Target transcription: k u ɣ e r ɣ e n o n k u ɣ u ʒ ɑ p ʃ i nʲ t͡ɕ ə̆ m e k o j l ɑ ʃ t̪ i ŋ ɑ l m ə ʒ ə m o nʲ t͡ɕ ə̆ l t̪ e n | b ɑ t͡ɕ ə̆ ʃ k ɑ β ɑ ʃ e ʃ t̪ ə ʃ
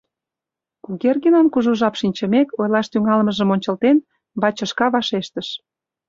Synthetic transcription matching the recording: k u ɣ e r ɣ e n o n k u ʒ u ʒ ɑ p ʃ i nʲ t͡ɕ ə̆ m e k o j l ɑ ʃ t̪ y ŋ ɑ l m ə ʒ ə m o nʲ t͡ɕ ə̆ l t̪ e n | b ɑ t͡ɕ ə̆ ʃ k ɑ β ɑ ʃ e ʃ t̪ ə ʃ

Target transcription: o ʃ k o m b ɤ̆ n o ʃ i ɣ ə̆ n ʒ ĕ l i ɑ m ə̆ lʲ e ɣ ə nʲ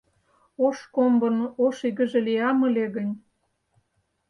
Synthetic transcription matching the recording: o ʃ k o m b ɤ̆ n o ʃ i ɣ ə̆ ʒ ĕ l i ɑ m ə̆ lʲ e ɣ ə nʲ

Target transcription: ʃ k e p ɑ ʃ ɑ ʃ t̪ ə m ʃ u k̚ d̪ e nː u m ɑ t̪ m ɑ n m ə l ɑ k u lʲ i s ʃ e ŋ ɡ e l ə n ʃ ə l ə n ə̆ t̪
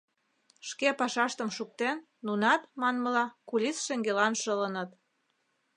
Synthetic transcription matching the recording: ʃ k e p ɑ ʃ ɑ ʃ t̪ ə m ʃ u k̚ t̪ e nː u n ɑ t̪ m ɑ n m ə l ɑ k u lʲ i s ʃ e ŋ ɡ e l ɑ n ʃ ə l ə n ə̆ t̪

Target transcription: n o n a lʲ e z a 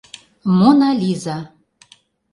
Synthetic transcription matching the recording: m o n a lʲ i z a

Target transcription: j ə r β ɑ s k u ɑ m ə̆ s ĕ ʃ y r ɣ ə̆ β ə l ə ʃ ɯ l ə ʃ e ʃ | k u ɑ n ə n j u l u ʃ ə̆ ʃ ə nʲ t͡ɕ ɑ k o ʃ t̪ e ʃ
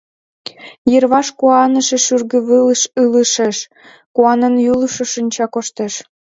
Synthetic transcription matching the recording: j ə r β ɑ ʃ k u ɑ n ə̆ ʃ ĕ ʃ y r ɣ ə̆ β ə l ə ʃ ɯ l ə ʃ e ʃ | k u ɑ n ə n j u l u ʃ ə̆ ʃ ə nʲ t͡ɕ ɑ k o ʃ t̪ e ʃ

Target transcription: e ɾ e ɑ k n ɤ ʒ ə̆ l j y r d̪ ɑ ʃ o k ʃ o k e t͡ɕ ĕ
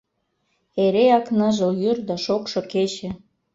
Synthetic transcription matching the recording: e ɾ e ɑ k n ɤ ʒ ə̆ l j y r d̪ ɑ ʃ o k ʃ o k e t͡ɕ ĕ

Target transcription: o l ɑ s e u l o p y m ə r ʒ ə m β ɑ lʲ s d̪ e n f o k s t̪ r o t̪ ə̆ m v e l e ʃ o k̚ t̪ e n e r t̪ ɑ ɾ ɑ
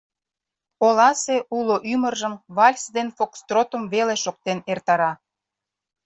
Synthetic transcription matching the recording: o l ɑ s e u l o ʔ y m ə r ʒ ə m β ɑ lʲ s d̪ e n f o k s t̪ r o t̪ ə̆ m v e l e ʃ o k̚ t̪ e n e r t̪ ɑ ɾ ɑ

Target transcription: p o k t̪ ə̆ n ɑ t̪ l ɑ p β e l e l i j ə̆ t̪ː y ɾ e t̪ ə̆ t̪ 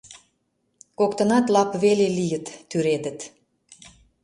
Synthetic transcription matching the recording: k o k t̪ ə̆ n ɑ t̪ l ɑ p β e l e l i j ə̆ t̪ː y ɾ e d̪ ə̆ t̪

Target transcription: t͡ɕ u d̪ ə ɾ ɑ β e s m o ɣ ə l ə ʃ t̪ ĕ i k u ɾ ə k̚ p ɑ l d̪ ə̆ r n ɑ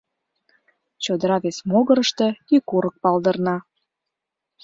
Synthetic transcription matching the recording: t͡ɕ o d̪ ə ɾ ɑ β e s m o ɣ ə ɾ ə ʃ t̪ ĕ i k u ɾ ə k̚ p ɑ l d̪ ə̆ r n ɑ

